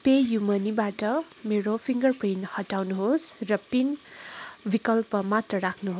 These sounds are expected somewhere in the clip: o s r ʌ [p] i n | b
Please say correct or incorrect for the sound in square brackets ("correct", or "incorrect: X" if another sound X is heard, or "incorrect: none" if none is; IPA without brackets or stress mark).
correct